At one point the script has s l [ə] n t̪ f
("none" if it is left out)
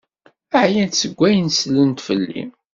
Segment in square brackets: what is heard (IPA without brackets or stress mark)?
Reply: ə